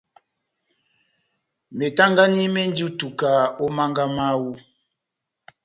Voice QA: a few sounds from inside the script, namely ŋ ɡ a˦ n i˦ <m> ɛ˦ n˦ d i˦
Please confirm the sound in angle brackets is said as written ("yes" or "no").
yes